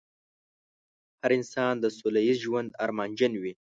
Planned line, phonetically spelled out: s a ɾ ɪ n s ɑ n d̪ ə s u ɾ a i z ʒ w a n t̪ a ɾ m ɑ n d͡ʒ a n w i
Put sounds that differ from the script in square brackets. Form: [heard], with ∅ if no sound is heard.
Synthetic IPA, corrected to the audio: [h] a ɾ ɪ n s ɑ n d̪ ə s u [l] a i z ʒ w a n [d̪] a ɾ m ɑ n d͡ʒ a n w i